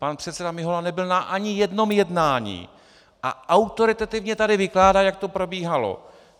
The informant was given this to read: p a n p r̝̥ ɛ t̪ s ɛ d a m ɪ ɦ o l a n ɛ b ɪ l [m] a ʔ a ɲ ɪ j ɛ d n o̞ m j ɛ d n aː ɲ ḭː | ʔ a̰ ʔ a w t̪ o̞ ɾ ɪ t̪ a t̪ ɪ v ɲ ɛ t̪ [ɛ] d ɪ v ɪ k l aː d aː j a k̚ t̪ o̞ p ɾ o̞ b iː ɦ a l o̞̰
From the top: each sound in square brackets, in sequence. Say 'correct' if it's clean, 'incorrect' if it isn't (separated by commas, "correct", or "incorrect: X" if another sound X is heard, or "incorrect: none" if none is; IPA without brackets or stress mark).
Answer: incorrect: n, incorrect: a